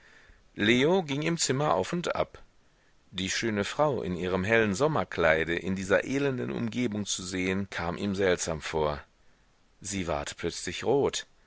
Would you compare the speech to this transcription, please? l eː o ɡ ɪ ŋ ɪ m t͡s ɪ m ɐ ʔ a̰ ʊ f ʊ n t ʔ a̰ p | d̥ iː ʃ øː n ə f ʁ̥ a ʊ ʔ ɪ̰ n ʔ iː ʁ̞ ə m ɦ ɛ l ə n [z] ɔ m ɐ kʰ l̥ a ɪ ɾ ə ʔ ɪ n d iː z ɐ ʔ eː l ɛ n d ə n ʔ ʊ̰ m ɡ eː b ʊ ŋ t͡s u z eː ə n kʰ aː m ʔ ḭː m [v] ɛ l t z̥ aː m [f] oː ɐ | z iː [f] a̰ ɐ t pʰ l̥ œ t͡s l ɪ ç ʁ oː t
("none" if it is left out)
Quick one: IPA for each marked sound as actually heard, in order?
z, z, f, v

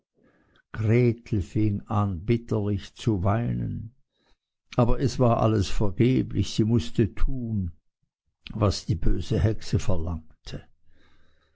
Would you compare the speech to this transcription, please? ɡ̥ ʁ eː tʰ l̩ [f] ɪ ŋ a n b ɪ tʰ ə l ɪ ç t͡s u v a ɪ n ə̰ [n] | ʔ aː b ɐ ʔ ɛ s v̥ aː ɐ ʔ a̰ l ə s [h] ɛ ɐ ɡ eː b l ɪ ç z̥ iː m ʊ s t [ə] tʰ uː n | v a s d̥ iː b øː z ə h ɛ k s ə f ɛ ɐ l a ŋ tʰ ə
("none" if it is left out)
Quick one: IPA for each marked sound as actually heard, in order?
f, n, f, ə

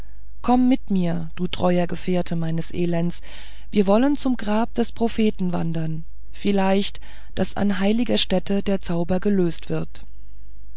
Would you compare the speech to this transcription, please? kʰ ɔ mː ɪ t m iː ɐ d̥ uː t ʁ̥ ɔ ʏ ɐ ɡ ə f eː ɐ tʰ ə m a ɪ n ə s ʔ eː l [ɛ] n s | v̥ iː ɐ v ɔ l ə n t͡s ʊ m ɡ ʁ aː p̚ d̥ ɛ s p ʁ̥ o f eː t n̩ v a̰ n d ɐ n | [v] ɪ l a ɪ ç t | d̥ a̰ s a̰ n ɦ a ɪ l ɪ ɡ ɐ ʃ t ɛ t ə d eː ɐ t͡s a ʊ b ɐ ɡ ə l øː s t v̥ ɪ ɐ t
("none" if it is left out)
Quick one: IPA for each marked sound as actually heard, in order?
ɛ, f

